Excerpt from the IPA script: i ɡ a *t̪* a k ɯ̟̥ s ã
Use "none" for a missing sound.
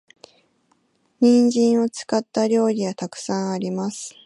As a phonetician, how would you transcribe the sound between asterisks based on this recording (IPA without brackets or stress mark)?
t̪